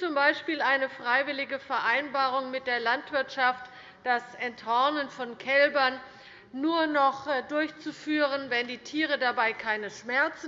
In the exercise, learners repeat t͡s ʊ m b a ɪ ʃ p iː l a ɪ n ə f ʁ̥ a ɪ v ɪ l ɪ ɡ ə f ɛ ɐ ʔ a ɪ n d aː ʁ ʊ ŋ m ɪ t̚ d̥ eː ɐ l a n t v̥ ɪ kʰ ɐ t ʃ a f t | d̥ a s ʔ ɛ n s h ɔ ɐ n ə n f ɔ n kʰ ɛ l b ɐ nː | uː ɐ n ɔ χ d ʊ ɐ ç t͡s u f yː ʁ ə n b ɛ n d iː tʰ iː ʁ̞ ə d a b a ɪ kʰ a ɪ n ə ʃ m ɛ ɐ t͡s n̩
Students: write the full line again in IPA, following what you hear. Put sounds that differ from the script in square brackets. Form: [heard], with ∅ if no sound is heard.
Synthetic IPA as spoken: t͡s ʊ m b a ɪ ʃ p iː l a ɪ n ə f ʁ̥ a ɪ v ɪ l ɪ ɡ ə f ɛ ɐ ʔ a ɪ n [b] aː ʁ ʊ ŋ m ɪ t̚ d̥ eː ɐ l a n t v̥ ɪ [∅] ɐ t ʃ a f t | d̥ a s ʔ ɛ n [t] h ɔ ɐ n ə n f ɔ n kʰ ɛ l b ɐ nː | uː ɐ n ɔ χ d ʊ ɐ ç t͡s u f yː ʁ ə n [v] ɛ n d iː tʰ iː ʁ̞ ə d a b a ɪ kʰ a ɪ n ə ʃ m ɛ ɐ t͡s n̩

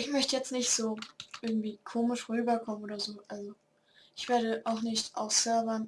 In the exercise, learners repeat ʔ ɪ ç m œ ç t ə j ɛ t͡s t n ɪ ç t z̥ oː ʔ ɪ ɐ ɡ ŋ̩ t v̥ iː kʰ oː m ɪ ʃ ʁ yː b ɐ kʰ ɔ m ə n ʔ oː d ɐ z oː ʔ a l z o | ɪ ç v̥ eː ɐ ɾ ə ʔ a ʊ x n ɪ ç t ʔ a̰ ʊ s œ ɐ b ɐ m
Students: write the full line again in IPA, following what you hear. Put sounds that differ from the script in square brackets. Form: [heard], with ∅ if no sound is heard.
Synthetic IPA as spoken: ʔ ɪ ç m œ ç t ə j ɛ t͡s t n ɪ ç t z̥ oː ʔ ɪ ɐ ɡ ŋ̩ t v̥ iː kʰ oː m ɪ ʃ ʁ yː b ɐ kʰ ɔ m ə n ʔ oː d ɐ z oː ʔ a l z o | ɪ ç v̥ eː ɐ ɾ ə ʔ a ʊ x n ɪ ç t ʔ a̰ ʊ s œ ɐ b ɐ [n]

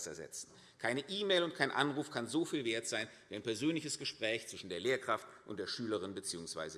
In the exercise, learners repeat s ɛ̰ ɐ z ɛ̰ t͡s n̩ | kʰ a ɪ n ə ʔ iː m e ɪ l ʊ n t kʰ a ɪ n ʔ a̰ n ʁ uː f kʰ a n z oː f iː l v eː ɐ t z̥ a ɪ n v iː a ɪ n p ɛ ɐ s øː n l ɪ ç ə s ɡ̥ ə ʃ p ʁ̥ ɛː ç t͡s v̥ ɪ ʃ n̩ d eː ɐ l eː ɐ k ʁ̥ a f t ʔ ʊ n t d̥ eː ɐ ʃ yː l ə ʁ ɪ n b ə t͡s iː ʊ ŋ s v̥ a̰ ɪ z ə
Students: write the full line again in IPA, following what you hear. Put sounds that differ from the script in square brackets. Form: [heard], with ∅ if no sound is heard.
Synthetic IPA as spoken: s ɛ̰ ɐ z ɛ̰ t͡s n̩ | kʰ a ɪ n ə ʔ iː m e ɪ l ʊ n t kʰ a ɪ n ʔ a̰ n ʁ uː f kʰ a n z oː f iː l v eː ɐ t z̥ a ɪ n v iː a ɪ n p ɛ ɐ [z] øː n l ɪ ç ə s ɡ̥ ə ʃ p ʁ̥ ɛː ç t͡s v̥ ɪ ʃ n̩ d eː ɐ l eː ɐ k ʁ̥ a f t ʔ ʊ n t d̥ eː ɐ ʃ yː l ə ʁ ɪ n b ə t͡s iː ʊ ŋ s v̥ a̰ ɪ z ə

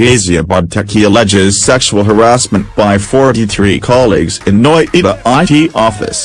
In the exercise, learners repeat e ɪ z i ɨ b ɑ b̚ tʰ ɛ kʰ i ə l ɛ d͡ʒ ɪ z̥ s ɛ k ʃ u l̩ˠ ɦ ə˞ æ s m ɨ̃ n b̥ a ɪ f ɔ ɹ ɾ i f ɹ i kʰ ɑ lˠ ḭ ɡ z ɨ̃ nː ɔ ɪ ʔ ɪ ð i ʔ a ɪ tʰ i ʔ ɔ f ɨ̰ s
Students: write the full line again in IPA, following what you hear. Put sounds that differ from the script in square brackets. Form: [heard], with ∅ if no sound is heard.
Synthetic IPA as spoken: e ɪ z i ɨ b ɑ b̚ tʰ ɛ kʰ i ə l ɛ d͡ʒ ɪ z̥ s ɛ k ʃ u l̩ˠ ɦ ə˞ æ s m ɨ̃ n b̥ a ɪ f ɔ ɹ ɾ i [θ] ɹ i kʰ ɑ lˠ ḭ ɡ z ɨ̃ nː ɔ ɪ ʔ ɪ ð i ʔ a ɪ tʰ i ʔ ɔ f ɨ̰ s

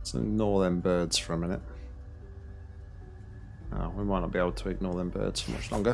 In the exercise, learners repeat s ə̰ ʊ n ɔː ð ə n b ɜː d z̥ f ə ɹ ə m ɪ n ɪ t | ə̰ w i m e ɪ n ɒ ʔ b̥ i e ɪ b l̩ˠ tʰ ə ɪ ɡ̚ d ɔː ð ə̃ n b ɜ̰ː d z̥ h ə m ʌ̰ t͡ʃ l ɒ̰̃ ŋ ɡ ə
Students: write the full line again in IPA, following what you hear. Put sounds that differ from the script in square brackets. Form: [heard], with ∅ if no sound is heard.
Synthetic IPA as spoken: s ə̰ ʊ n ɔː ð ə n b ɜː d z̥ f ə ɹ ə m ɪ n ɪ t | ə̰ w i m [a] ɪ n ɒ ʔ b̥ i e ɪ b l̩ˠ tʰ ə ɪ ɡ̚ [n] ɔː ð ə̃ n b ɜ̰ː d z̥ [f] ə m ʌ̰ t͡ʃ l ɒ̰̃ ŋ ɡ ə

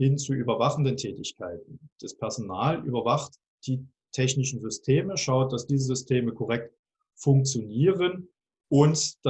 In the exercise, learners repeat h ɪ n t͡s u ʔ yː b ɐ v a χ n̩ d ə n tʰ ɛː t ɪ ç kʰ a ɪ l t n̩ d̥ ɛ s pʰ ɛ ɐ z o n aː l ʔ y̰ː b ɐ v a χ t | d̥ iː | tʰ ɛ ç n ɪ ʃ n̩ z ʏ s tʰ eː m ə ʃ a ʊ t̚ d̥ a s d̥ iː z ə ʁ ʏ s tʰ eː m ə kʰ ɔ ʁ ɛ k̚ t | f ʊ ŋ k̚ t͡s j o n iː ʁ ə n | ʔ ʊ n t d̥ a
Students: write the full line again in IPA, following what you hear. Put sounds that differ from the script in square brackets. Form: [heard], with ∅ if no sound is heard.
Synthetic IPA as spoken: h ɪ n t͡s u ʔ yː b ɐ v a χ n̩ d ə n tʰ ɛː t ɪ ç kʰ a ɪ [∅] t n̩ d̥ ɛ s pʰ ɛ ɐ z o n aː l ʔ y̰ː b ɐ v a χ t | d̥ iː | tʰ ɛ ç n ɪ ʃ n̩ z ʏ s tʰ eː m ə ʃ a ʊ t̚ d̥ a s d̥ iː z ə [z] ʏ s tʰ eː m ə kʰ ɔ ʁ ɛ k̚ t | f ʊ ŋ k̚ t͡s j o n iː ʁ ə n | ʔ ʊ n t d̥ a

